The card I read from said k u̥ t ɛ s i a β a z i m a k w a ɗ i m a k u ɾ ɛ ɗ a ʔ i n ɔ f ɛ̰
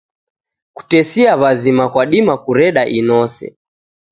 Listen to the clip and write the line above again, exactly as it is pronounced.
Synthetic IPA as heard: k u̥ t ɛ s i a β a z i m a k w a ɗ i m a k u ɾ ɛ ɗ a ʔ i n ɔ s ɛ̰